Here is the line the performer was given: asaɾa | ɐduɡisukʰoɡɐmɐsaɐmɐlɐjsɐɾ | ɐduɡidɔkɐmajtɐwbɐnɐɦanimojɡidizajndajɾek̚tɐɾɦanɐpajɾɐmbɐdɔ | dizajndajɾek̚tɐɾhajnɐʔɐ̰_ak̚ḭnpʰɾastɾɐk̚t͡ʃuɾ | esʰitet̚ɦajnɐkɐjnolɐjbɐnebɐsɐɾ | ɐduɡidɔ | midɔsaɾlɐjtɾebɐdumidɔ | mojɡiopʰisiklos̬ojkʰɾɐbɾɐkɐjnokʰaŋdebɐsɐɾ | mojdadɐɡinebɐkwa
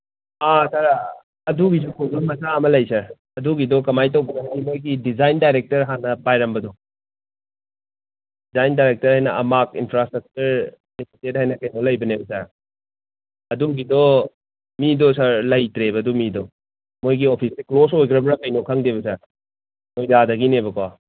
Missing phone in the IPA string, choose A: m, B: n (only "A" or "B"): A